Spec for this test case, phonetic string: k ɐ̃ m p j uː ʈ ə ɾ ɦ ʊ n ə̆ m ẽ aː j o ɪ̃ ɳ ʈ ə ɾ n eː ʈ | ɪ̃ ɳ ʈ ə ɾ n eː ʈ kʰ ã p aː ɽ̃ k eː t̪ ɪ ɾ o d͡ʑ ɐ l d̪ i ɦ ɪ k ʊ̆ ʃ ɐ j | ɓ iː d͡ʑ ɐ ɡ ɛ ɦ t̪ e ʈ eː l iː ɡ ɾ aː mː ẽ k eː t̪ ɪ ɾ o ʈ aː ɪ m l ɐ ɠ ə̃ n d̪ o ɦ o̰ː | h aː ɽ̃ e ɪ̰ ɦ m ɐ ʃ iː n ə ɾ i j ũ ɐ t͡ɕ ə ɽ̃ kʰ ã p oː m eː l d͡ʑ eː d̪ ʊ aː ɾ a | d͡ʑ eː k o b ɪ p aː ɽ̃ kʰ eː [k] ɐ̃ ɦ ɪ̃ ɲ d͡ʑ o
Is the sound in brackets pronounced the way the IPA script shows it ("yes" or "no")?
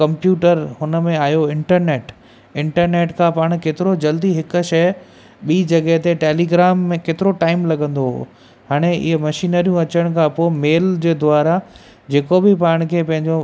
no